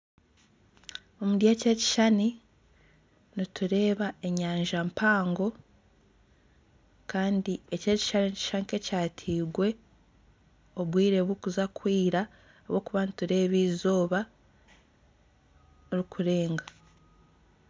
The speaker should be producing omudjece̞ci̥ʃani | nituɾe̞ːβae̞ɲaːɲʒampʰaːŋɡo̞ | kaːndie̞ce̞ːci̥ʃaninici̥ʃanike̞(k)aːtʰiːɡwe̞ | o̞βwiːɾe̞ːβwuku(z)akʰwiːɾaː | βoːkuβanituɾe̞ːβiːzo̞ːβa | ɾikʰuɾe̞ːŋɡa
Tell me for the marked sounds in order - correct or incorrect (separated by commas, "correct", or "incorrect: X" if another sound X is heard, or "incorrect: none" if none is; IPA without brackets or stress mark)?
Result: incorrect: c, correct